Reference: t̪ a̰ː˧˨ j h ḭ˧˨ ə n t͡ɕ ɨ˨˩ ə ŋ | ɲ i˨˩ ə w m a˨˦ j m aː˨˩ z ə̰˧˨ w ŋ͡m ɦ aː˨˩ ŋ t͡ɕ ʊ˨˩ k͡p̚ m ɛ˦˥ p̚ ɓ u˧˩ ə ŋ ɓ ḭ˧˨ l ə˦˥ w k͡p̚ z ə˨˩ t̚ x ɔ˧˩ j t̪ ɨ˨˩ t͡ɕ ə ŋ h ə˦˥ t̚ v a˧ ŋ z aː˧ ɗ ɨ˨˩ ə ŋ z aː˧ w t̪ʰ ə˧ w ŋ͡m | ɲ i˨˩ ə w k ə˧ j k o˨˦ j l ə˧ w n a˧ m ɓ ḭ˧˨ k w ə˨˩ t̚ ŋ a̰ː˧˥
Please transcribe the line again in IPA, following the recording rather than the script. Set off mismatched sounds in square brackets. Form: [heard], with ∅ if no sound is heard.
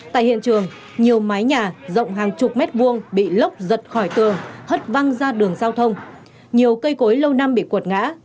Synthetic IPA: t̪ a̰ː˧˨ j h ḭ˧˨ ə n t͡ɕ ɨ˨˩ ə ŋ | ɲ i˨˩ ə w m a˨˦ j [ɲ] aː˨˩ z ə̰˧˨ w ŋ͡m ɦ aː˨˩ ŋ t͡ɕ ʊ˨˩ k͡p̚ m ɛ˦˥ [t̚] ɓ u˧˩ ə ŋ ɓ ḭ˧˨ l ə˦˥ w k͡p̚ z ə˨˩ t̚ x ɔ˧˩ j t̪ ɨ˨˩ [∅] ə ŋ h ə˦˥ t̚ v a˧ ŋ z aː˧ ɗ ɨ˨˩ ə ŋ z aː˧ w t̪ʰ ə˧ w ŋ͡m | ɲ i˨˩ ə w k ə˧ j k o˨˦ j l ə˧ w n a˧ m ɓ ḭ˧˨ k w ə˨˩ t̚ ŋ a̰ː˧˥